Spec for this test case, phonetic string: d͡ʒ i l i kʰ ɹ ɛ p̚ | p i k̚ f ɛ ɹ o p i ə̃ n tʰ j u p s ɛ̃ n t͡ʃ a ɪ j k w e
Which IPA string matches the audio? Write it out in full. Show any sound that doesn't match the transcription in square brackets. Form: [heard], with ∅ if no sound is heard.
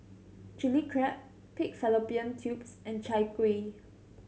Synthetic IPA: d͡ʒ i l i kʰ ɹ ɛ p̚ | p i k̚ f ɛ [l] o p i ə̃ n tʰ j u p s ɛ̃ n t͡ʃ a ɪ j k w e